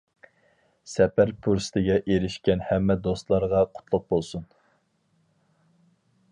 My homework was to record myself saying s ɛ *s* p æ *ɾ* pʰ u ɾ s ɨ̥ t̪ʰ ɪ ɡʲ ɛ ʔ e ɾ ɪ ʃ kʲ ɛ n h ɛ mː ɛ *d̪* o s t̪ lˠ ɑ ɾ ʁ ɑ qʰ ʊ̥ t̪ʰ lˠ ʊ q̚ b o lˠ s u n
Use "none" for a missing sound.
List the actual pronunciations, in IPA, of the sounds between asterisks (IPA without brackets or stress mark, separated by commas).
none, ɾ, d̪